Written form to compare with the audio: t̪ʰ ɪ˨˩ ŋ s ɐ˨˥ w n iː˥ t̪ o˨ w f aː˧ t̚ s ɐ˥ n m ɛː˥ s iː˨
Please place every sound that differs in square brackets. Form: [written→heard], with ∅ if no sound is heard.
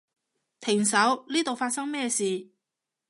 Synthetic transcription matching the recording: t̪ʰ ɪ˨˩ ŋ s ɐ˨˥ w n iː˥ t̪ o˨ w f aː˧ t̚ s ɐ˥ [n→ŋ] m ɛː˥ s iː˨